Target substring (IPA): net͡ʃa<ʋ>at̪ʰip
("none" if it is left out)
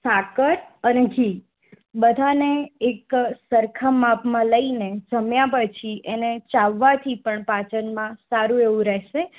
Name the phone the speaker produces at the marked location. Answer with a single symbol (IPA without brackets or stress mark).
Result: ʋː